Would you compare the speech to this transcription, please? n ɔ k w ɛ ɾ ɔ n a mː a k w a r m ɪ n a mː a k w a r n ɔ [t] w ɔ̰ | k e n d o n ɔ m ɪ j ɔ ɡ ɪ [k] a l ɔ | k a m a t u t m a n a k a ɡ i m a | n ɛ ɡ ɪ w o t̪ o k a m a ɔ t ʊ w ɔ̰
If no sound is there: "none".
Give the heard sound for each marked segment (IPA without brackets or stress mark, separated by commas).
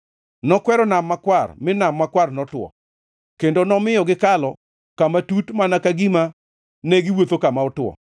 t, k